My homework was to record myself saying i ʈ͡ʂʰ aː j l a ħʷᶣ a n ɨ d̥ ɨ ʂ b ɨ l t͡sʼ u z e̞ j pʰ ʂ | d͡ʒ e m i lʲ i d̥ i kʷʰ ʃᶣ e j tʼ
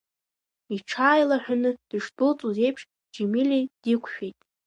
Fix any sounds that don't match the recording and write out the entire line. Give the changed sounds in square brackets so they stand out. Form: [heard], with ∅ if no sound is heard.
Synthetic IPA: i ʈ͡ʂʰ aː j l a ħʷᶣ a n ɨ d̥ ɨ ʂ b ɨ l t͡sʼ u z e̞ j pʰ ʂ | d͡ʒ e m i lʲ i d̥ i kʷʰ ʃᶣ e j tʼ